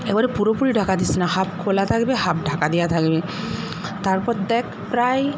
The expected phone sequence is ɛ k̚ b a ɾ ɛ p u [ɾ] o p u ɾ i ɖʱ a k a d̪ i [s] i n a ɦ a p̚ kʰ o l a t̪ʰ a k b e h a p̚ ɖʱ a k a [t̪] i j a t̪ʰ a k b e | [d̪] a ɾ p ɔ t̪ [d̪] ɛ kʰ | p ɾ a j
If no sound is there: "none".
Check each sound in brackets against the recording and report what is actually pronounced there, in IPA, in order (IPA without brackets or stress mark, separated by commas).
ɾ, s, d̪, t̪, d̪